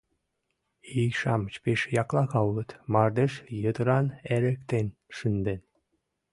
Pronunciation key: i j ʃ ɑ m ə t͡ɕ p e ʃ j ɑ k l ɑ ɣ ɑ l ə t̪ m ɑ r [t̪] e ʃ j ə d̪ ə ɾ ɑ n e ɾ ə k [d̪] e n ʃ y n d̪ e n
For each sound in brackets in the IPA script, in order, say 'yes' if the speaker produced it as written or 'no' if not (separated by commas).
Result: no, no